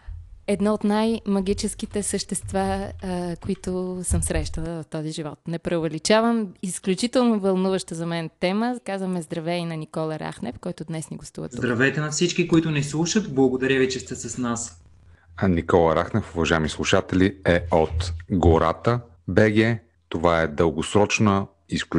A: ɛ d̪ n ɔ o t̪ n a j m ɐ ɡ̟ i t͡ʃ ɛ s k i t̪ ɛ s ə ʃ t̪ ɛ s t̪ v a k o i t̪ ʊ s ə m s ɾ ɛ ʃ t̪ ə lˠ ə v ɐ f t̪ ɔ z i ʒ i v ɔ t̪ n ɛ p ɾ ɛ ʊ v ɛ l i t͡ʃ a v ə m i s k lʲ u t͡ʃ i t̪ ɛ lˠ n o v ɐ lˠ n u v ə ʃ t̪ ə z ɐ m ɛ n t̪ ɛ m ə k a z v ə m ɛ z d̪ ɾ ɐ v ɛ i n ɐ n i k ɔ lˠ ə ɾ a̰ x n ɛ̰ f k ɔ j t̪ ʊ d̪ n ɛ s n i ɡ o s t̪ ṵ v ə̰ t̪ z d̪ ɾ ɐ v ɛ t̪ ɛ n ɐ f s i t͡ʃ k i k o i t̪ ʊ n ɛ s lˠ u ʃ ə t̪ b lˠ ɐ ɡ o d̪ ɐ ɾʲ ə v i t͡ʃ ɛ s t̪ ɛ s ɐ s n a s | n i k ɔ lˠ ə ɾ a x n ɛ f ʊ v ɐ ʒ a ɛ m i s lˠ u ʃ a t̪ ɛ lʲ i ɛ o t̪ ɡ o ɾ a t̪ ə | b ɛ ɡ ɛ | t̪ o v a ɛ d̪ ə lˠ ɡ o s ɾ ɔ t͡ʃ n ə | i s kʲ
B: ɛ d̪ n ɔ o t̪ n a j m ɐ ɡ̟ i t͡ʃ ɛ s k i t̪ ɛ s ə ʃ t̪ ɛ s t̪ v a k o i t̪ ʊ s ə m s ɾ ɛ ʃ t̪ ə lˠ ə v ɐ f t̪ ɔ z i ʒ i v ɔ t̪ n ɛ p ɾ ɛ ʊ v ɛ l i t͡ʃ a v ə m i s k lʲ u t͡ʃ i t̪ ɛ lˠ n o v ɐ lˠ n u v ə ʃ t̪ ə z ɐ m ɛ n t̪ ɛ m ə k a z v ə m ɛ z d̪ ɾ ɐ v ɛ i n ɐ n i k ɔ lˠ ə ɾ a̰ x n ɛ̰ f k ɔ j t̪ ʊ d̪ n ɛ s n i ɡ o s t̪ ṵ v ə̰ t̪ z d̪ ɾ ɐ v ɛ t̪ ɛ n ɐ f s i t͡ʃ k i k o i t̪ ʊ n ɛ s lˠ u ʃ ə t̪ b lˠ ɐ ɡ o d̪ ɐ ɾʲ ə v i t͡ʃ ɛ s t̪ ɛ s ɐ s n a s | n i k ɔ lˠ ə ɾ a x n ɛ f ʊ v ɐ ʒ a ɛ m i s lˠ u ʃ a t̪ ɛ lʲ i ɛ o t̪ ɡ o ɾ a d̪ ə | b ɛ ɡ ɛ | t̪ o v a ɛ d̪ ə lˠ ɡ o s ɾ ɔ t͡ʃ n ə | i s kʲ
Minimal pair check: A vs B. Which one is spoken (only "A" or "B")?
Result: A